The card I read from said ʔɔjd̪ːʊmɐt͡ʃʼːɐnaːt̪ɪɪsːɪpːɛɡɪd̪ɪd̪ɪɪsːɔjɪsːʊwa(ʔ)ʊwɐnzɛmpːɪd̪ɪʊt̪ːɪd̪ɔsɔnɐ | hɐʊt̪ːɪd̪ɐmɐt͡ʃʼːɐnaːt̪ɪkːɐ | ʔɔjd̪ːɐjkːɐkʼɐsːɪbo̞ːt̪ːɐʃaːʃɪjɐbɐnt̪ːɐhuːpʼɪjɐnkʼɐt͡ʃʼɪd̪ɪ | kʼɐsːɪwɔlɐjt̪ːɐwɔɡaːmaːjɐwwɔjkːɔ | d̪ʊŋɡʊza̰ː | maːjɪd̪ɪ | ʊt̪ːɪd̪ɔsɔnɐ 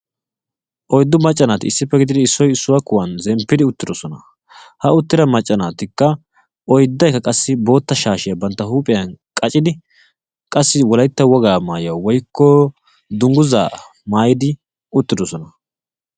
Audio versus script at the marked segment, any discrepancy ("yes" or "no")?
yes